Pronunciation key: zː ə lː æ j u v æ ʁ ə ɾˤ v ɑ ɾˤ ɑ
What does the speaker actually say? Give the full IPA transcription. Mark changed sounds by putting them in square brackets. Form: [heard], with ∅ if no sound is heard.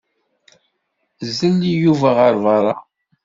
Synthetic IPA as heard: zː ə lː [i] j u v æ ʁ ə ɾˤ v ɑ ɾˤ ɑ